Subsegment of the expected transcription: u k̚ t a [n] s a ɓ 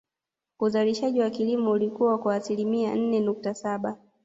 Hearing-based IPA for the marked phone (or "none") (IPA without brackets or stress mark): none